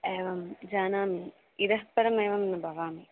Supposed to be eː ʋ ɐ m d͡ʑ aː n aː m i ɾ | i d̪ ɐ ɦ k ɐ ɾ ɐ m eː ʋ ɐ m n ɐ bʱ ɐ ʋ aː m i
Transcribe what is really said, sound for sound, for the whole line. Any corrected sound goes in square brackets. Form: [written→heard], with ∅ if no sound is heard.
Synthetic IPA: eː ʋ ɐ m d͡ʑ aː n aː m i [ɾ→∅] | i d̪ ɐ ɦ [k→p] ɐ ɾ ɐ m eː ʋ ɐ m n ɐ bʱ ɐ ʋ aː m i